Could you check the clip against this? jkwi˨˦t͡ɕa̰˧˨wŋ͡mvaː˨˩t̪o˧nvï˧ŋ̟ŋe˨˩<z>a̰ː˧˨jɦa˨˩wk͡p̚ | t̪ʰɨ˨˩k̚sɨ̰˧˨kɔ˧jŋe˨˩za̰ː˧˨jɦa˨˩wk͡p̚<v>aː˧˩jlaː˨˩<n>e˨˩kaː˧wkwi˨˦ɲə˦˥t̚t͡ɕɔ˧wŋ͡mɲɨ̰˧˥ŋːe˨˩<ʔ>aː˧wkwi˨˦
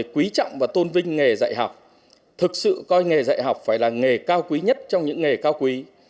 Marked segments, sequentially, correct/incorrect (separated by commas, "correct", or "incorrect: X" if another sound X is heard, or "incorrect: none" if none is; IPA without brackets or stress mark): correct, incorrect: f, incorrect: ŋ, incorrect: k